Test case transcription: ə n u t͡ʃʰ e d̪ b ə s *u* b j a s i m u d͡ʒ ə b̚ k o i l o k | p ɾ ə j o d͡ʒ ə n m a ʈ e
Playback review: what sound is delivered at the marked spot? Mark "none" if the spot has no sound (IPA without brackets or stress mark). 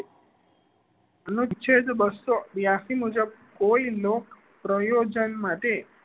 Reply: o